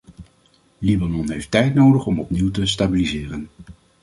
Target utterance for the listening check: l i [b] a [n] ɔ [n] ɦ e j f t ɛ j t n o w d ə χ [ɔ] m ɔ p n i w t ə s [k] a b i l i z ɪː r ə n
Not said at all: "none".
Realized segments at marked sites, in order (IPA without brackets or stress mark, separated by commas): b, n, n, ɔ, t